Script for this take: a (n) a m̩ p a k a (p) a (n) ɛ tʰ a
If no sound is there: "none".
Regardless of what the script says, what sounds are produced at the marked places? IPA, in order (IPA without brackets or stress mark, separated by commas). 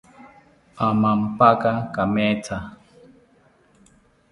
m, k, m